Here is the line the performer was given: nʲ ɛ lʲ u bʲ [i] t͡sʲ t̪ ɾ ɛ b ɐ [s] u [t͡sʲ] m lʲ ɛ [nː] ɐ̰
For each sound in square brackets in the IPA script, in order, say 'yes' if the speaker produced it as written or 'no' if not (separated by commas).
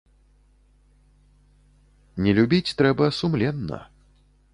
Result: yes, yes, no, yes